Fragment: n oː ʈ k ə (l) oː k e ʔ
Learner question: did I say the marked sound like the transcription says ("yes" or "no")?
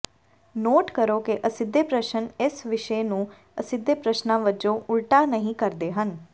no